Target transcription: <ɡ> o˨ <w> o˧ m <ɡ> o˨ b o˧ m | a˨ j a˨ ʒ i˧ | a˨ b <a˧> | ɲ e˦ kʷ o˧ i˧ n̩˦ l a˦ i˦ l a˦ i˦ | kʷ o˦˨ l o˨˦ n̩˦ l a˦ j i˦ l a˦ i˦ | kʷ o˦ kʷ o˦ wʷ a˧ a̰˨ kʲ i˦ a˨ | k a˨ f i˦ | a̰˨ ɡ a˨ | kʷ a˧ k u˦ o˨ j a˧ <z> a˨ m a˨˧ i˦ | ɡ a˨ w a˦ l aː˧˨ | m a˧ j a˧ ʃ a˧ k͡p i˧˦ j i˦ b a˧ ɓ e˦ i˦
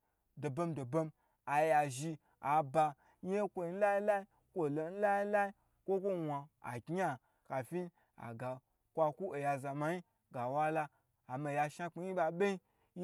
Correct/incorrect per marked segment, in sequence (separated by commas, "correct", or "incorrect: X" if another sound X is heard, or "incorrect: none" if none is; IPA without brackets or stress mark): incorrect: d, incorrect: b, incorrect: d, correct, correct